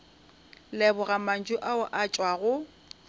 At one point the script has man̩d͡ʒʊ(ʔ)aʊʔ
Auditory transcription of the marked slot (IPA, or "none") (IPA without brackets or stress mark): ʔ